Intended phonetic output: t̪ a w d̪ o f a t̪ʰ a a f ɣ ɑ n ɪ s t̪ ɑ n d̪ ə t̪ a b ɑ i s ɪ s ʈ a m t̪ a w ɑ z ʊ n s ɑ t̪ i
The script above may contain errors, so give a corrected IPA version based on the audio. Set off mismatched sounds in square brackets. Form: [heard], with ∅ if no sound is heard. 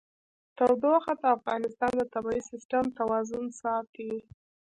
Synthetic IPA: t̪ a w d̪ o [x] a [t̪] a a f ɣ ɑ n ɪ s t̪ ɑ n d̪ ə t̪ a b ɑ i s ɪ s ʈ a m t̪ a w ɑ z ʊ n s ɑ t̪ i